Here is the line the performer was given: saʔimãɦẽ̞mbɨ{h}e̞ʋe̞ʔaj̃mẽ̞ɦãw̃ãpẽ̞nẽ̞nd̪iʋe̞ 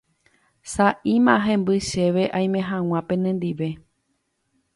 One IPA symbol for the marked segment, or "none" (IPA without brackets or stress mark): ʃ